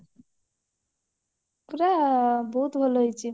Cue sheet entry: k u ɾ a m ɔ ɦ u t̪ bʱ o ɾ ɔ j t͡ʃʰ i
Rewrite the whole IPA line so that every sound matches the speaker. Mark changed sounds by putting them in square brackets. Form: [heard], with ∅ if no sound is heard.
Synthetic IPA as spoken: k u ɾ a [b] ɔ ɦ u t̪ bʱ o [l] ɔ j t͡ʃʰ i